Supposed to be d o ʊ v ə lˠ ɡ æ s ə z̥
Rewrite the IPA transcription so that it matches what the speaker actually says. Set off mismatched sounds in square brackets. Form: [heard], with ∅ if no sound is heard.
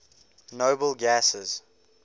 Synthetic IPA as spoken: [n] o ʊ [b] ə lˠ ɡ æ s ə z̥